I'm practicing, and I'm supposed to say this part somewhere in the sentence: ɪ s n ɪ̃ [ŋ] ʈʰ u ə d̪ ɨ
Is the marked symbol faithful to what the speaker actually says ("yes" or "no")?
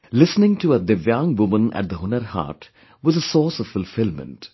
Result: yes